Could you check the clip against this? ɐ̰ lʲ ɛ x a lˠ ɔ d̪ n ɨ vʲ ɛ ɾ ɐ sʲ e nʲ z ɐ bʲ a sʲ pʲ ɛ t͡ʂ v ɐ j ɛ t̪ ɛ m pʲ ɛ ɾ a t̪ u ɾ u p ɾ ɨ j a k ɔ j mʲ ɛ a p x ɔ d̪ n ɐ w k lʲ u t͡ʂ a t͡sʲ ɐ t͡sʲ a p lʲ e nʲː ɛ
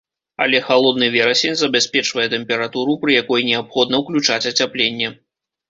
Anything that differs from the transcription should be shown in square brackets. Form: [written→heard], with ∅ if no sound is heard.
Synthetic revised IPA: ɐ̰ lʲ ɛ x a lˠ ɔ d̪ n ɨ vʲ ɛ ɾ ɐ sʲ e nʲ z ɐ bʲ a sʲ pʲ ɛ t͡ʂ v ɐ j ɛ t̪ ɛ m pʲ ɛ ɾ a t̪ u ɾ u p ɾ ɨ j a k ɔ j [mʲ→nʲ] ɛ a p x ɔ d̪ n ɐ w k lʲ u t͡ʂ a t͡sʲ ɐ t͡sʲ a p lʲ e nʲː ɛ